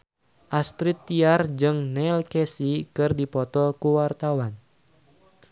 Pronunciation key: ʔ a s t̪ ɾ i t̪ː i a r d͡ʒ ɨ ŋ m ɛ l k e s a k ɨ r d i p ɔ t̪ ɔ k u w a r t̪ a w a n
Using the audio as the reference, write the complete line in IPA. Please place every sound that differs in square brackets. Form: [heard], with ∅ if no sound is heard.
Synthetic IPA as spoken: ʔ a s t̪ ɾ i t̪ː i a r d͡ʒ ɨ ŋ [n] ɛ l k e s [i] k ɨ r d i p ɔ t̪ ɔ k u w a r t̪ a w a n